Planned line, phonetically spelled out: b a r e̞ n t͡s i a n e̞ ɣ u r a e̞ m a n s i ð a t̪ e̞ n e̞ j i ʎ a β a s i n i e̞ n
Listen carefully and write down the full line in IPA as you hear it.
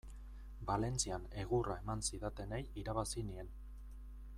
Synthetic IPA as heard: b a l e̞ n t͡s i a n e̞ ɣ u r a e̞ m a n s i ð a t̪ e̞ n e̞ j i ɾ a β a s i n i e̞ n